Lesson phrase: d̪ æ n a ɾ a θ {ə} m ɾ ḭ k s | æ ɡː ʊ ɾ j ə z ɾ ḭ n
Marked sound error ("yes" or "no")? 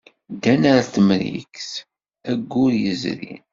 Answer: no